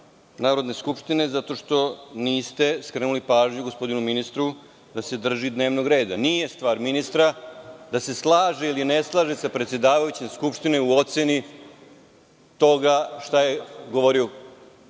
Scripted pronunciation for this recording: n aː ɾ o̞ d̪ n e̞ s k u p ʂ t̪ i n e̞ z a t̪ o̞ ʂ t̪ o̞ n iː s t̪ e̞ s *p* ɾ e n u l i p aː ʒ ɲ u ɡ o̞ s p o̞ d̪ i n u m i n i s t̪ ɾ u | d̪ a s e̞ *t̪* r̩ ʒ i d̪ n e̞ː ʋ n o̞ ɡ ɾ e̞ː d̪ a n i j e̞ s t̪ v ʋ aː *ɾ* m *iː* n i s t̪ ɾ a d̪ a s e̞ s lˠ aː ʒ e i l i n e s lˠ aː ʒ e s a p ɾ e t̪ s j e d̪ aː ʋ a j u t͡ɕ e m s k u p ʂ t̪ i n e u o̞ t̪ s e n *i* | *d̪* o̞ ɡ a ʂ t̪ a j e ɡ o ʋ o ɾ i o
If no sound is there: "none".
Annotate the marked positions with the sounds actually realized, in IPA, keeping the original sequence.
k, d̪, ɾ, i, i, t̪

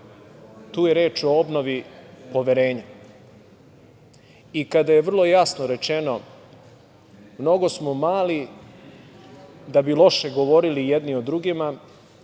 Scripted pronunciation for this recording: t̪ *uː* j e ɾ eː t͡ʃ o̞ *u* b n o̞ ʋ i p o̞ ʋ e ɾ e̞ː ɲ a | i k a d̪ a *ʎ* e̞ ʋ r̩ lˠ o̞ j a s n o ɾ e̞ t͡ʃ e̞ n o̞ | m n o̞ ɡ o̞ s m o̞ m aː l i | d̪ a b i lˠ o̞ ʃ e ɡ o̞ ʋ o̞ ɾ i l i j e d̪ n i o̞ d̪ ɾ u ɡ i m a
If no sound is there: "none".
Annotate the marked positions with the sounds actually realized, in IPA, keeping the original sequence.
uː, o, j

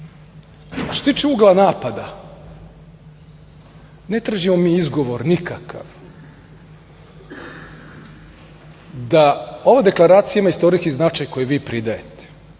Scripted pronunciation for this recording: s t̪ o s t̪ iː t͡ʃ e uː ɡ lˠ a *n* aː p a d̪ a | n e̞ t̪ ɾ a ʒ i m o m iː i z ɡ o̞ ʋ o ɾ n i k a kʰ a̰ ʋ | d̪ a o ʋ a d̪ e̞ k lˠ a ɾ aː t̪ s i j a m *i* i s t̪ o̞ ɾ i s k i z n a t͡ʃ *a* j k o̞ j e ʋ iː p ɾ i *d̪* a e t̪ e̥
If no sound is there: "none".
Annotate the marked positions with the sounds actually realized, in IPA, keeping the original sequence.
n, a, a, d̪

